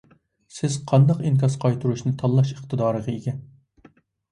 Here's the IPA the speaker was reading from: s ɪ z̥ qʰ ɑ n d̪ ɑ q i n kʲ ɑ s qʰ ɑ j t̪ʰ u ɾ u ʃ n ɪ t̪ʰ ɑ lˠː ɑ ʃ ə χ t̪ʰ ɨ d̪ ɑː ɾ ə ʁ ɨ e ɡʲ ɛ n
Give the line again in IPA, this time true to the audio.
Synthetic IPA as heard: s ɪ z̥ qʰ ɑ n d̪ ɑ q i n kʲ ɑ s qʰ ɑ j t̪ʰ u ɾ u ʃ n ɪ t̪ʰ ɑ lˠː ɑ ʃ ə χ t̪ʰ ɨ d̪ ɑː ɾ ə ʁ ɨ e ɡʲ ɛ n

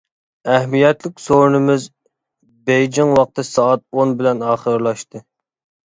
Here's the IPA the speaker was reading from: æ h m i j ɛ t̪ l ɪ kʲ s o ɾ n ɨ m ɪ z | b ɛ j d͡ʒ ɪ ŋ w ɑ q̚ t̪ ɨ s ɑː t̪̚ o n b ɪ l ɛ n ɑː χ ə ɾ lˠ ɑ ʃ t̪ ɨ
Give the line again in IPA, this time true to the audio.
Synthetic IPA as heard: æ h m i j ɛ t̪ l ɪ kʲ s o ɾ n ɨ m ɪ z | b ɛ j d͡ʒ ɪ ŋ w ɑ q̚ t̪ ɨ s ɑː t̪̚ o n b ɪ l ɛ n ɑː χ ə ɾ lˠ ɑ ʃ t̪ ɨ

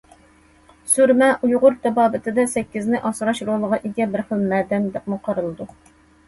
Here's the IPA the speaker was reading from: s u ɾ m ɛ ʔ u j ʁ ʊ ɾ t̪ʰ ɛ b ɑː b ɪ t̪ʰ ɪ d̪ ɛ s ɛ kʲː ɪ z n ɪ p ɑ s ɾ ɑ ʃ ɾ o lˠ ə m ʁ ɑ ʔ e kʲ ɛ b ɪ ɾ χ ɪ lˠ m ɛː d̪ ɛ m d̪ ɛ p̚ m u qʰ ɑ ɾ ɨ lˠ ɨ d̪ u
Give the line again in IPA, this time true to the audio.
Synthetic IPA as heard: s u ɾ m ɛ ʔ u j ʁ ʊ ɾ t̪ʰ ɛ b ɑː b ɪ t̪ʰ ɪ d̪ ɛ s ɛ kʲː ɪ z n ɪ ʔ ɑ s ɾ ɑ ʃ ɾ o lˠ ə ʁ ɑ ʔ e ɡʲ ɛ b ɪ ɾ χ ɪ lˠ m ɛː d̪ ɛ m d̪ ɛ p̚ m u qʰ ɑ ɾ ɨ lˠ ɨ d̪ u

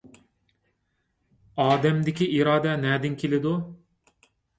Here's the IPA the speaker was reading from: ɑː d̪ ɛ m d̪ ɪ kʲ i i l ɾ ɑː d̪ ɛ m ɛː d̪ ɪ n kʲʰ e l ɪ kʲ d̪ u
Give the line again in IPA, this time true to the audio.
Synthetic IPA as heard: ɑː d̪ ɛ m d̪ ɪ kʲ i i ɾ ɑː d̪ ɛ n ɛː d̪ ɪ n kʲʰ e l ɪ d̪ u

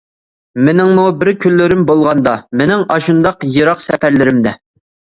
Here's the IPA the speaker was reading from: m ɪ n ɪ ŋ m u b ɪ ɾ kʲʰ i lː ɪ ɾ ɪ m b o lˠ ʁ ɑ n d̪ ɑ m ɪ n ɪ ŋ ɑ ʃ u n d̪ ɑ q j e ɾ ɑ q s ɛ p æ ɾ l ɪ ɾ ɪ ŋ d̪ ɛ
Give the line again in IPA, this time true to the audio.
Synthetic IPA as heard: m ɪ n ɪ ŋ m u b ɪ ɾ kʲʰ y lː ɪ ɾ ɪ m b o lˠ ʁ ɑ n d̪ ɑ m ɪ n ɪ ŋ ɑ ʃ u n d̪ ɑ q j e ɾ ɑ q s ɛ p æ ɾ l ɪ ɾ ɪ m d̪ ɛ

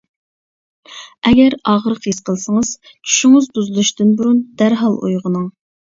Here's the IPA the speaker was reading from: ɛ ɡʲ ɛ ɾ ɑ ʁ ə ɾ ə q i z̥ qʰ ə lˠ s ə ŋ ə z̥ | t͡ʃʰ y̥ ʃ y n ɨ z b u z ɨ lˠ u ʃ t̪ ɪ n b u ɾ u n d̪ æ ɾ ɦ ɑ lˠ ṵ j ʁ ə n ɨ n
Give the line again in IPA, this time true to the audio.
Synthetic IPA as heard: ɛ ɡʲ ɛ ɾ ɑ ʁ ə ɾ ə q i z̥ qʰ ə lˠ s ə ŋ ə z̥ | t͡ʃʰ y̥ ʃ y ŋ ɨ z b u z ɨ lˠ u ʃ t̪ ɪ n b u ɾ u n d̪ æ ɾ ɦ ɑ lˠ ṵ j ʁ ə n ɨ ŋ

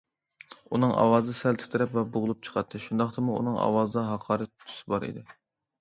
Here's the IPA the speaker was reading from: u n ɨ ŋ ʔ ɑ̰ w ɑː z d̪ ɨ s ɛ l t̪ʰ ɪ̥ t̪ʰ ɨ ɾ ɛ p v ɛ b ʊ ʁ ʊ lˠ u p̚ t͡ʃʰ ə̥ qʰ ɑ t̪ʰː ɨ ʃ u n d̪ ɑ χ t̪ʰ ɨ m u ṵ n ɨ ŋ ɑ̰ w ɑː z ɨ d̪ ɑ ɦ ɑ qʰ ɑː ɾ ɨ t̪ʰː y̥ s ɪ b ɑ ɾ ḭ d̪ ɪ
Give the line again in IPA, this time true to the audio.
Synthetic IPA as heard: u n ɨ ŋ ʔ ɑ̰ w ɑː z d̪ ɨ s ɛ l t̪ʰ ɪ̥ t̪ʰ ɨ ɾ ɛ p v ɛ b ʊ ʁ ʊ lˠ u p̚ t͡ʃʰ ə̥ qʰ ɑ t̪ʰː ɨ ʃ u n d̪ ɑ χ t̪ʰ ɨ m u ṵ n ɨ ŋ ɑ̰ w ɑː z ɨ d̪ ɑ ɦ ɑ qʰ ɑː ɾ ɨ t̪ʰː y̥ s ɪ b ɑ ɾ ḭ d̪ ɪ

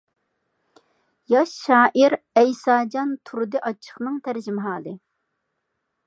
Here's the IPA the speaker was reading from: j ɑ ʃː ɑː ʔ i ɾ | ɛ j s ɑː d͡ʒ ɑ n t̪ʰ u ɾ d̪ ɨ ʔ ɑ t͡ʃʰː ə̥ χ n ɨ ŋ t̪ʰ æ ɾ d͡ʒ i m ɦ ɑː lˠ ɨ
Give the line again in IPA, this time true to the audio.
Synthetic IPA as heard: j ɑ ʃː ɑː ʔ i ɾ | ɛ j s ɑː d͡ʒ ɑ n t̪ʰ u ɾ d̪ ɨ ʔ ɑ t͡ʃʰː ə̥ χ n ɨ ŋ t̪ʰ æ ɾ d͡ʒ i m ɦ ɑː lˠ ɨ

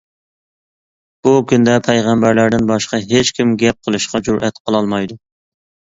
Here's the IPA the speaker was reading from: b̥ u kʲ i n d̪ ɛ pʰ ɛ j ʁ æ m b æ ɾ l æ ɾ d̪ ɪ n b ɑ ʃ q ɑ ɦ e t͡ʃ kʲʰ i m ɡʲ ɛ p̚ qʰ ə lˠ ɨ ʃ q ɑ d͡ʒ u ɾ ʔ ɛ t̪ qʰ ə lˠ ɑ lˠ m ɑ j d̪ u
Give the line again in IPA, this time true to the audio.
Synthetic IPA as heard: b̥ u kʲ y n d̪ ɛ pʰ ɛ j ʁ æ m b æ ɾ l æ ɾ d̪ ɪ n b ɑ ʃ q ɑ ɦ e t͡ʃ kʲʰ i m ɡʲ ɛ p̚ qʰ ə lˠ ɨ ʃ q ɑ d͡ʒ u ɾ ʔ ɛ t̪ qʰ ə lˠ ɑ lˠ m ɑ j d̪ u

